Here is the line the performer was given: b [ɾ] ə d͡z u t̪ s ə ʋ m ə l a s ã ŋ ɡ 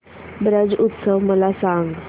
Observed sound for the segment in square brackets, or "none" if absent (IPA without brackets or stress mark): ɾ